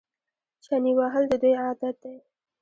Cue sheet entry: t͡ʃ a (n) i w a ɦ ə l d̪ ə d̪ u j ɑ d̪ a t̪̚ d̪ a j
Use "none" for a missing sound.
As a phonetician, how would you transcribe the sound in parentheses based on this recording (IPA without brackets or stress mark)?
n